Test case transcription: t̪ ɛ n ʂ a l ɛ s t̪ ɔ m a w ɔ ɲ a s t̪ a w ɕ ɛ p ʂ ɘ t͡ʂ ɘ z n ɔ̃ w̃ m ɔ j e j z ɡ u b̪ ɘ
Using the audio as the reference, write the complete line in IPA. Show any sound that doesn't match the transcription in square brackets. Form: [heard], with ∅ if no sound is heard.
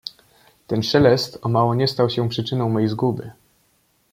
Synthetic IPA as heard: t̪ ɛ n ʂ [ɛ] l ɛ s t̪ ɔ m a w ɔ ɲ [ɛ] s t̪ a w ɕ ɛ p ʂ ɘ t͡ʂ ɘ [∅] n ɔ̃ w̃ m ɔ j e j z ɡ u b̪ ɘ